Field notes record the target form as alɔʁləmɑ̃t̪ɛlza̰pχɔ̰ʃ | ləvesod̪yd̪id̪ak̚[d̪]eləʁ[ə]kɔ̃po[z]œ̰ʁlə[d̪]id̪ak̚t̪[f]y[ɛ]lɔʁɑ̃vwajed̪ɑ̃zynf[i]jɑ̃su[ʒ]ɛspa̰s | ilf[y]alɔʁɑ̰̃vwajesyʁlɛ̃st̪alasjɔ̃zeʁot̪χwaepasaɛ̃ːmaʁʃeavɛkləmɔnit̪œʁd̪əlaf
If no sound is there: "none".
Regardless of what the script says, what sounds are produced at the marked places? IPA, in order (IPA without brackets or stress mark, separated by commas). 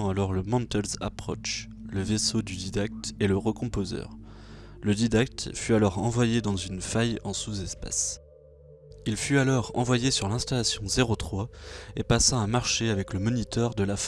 t̪, ə, z, d̪, f, a, a, z, y